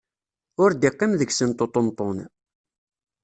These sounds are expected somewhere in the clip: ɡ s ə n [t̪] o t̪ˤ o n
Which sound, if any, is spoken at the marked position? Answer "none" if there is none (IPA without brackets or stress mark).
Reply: t̪